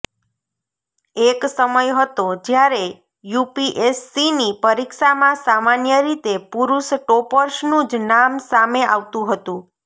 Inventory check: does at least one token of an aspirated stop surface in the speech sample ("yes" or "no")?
no